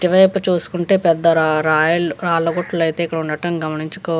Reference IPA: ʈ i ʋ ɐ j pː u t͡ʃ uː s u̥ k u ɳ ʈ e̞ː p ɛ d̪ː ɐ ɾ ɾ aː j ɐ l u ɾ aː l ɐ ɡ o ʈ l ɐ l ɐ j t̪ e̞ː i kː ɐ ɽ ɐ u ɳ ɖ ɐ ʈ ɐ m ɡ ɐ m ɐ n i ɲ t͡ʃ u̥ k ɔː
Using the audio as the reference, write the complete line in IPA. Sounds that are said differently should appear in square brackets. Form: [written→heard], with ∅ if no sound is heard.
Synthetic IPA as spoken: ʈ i ʋ ɐ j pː u t͡ʃ uː s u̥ k u ɳ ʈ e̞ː p ɛ d̪ː ɐ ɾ ɾ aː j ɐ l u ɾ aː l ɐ ɡ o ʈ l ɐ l ɐ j t̪ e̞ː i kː ɐ ɽ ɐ u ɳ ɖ ɐ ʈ ɐ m ɡ ɐ m ɐ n i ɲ t͡ʃ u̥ k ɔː